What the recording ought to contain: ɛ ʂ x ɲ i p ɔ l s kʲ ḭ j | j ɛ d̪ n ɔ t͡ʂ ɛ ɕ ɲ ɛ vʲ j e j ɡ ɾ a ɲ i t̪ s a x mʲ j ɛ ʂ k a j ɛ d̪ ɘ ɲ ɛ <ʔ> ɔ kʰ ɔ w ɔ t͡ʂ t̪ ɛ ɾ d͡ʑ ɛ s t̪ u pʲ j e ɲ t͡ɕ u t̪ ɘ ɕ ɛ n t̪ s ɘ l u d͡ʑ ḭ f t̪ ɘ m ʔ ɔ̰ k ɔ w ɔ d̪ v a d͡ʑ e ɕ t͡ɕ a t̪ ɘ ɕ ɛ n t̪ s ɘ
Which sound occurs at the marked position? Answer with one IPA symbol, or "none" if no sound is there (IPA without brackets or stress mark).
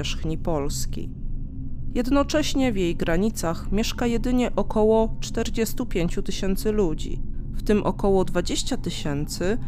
ʔ